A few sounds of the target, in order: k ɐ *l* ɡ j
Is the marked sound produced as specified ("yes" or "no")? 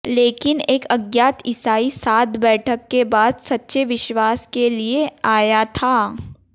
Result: no